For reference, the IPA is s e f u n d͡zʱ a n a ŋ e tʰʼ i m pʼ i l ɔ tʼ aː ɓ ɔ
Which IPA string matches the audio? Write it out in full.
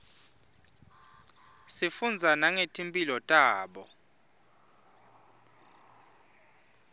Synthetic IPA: s i f u n d͡zʱ a n a ŋ e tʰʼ i m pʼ i l ɔ tʼ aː ɓ ɔ